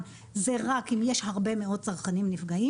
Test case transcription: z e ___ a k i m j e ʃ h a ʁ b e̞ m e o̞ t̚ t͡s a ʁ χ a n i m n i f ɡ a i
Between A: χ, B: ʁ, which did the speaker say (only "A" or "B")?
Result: B